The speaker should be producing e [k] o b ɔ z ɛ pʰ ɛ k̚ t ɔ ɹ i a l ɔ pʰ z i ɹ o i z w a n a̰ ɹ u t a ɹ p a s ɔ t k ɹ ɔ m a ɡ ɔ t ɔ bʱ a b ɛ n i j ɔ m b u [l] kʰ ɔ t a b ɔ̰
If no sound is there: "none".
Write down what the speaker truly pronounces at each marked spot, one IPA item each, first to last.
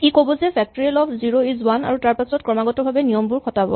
k, ɹ

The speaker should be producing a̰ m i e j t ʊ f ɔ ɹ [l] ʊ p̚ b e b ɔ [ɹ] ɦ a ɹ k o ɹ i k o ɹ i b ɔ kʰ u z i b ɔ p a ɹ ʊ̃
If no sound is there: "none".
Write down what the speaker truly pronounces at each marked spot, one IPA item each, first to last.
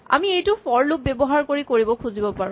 l, none

